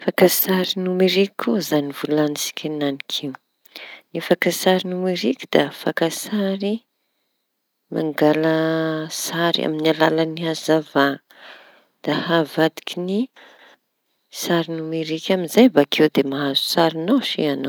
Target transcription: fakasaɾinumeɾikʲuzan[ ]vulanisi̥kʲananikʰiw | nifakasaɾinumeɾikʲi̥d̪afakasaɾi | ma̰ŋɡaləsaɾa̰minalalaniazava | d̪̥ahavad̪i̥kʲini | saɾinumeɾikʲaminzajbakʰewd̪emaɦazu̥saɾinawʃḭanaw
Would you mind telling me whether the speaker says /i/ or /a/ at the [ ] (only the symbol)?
i